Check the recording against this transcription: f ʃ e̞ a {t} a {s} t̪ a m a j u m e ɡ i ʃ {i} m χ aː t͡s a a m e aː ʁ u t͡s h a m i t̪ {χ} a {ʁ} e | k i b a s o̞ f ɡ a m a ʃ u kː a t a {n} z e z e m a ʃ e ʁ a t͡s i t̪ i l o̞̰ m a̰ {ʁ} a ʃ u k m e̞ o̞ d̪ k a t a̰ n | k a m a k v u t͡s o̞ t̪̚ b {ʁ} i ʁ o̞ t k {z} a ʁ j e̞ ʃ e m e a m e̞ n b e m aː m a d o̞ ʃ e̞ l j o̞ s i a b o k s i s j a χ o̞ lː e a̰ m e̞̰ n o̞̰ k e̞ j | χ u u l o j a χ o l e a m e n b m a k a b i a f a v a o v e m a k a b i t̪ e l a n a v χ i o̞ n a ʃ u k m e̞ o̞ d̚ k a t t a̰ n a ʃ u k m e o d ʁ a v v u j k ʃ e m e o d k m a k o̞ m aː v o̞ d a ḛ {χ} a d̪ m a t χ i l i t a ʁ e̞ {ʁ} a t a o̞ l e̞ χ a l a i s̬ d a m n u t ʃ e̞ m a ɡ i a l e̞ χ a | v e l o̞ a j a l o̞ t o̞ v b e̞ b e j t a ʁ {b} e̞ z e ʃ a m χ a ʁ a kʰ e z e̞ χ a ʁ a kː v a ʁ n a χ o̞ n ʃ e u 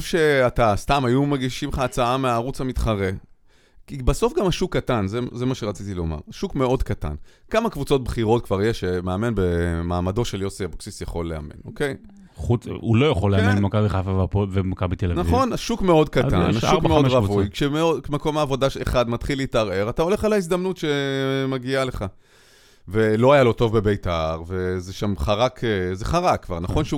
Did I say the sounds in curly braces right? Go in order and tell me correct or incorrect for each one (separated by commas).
correct, correct, correct, correct, correct, correct, correct, incorrect, incorrect, correct, correct, incorrect